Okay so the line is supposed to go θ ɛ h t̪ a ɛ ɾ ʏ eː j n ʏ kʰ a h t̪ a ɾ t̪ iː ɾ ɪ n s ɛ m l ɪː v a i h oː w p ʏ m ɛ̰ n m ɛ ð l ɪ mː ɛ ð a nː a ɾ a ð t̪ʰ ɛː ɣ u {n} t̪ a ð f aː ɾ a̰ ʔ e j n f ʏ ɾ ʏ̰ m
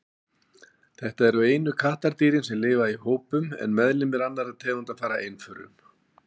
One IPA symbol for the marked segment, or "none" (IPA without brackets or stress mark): n